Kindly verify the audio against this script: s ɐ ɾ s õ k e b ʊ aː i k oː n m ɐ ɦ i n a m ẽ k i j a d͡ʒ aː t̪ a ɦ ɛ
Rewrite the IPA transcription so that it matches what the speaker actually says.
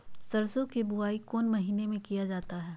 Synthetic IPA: s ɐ ɾ s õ k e b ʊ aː i k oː n m ɐ ɦ iː n e m ẽ k i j a d͡ʒ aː t̪ a ɦ ɛː